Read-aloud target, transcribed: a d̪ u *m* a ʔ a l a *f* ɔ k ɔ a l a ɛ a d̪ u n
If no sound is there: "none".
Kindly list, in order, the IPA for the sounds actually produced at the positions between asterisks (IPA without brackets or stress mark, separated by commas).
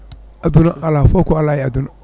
n, f